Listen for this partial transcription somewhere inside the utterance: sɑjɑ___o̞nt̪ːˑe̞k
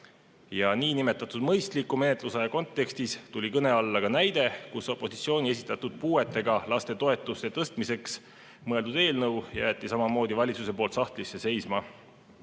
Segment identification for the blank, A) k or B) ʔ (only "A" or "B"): A